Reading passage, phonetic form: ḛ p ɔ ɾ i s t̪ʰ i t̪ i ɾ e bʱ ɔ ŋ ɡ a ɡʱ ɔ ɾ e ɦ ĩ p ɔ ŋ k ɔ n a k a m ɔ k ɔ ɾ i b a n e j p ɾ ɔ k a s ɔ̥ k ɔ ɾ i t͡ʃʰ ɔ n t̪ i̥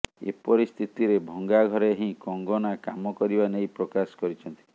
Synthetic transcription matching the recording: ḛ p ɔ ɾ i s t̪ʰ i t̪ i ɾ e bʱ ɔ ŋ ɡ a ɡʱ ɔ ɾ e ɦ ĩ k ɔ ŋ ɡ ɔ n a k a m ɔ k ɔ ɾ i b a n e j p ɾ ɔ k a s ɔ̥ k ɔ ɾ i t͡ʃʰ ɔ n t̪ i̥